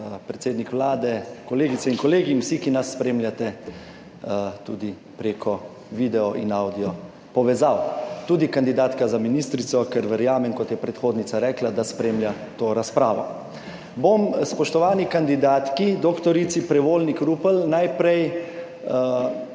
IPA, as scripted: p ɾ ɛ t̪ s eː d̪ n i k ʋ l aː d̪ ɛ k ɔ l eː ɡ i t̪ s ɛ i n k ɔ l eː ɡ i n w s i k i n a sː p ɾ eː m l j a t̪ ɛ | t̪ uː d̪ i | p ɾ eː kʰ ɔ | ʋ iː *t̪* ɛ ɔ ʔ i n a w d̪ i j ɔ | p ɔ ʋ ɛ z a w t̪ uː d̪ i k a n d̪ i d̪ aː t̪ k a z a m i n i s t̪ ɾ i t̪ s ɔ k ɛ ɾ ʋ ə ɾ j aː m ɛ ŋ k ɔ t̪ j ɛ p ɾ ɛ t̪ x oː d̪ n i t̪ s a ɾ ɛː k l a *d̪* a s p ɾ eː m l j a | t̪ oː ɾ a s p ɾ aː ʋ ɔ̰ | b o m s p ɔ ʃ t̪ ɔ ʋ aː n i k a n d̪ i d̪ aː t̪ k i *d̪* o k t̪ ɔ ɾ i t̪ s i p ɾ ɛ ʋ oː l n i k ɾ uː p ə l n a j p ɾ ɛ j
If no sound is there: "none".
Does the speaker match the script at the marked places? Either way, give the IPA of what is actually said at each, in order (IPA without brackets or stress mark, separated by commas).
d̪, d̪, d̪